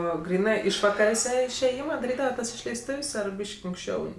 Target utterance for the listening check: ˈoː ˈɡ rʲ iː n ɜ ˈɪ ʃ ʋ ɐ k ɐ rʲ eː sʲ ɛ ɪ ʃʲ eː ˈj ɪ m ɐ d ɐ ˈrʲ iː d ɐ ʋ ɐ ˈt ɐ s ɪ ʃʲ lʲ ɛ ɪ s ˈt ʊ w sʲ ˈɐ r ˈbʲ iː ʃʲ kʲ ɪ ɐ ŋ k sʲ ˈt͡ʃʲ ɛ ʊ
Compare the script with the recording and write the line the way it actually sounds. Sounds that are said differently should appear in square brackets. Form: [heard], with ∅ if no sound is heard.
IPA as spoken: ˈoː ˈɡ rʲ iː n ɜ ˈɪ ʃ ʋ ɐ k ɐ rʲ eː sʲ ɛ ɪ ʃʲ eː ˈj ɪ m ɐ d ɐ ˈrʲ iː d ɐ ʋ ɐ ˈt ɐ s ɪ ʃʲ lʲ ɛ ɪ s ˈt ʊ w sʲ ˈɐ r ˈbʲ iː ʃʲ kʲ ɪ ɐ ŋ k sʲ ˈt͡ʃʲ ɛ ʊ